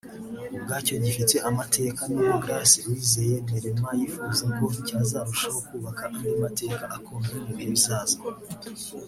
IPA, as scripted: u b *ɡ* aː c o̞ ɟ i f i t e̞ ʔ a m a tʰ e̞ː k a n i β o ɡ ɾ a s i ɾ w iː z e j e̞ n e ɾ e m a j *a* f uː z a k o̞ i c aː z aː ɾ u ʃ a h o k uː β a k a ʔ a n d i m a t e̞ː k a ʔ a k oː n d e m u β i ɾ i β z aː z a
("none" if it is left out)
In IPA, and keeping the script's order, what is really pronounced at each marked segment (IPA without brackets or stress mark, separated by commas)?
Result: ɡ, i